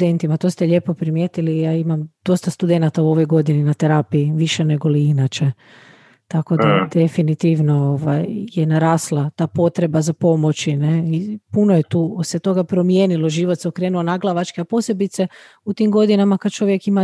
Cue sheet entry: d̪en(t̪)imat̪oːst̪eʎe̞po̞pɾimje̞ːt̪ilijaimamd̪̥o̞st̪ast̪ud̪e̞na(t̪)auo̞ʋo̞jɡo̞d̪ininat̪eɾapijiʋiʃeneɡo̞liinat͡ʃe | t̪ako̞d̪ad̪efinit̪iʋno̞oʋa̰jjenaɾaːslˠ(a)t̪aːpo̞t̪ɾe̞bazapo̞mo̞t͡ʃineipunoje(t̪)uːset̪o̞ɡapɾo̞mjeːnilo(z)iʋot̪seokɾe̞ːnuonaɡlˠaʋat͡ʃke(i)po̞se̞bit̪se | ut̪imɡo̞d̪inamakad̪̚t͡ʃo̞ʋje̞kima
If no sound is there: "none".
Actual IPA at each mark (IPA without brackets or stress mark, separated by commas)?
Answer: t̪, t̪, a, t̪, ʒ, a